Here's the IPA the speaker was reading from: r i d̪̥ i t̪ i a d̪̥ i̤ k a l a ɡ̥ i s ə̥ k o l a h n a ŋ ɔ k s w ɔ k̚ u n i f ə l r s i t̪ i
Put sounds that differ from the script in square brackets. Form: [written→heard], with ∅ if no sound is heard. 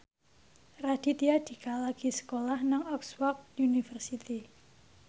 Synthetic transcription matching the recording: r [i→a] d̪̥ i t̪ i a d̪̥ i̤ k a l a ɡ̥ i s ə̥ k o l a h n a ŋ ɔ k s w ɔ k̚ u n i f ə [l→∅] r s i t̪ i